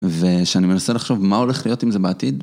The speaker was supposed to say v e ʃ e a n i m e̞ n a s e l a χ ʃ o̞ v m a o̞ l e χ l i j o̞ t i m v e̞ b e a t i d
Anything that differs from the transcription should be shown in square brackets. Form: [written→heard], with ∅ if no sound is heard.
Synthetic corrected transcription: v e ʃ e a n i m e̞ n a s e l a χ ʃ o̞ v m a o̞ l e χ l i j o̞ t i m [v→z] e̞ b e a t i d